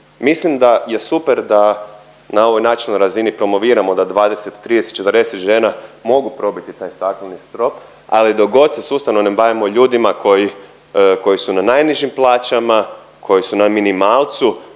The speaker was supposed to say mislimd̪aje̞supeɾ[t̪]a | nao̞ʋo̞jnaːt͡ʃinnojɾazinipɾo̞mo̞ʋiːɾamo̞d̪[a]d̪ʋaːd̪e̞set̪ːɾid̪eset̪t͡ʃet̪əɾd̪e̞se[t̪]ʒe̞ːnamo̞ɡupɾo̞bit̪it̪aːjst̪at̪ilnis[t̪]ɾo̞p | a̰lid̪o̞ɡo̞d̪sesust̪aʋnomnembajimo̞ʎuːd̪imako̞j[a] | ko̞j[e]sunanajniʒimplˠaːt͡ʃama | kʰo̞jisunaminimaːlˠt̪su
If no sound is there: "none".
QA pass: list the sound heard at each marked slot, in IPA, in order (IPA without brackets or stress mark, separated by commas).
d̪, a, t̪, t̪, i, i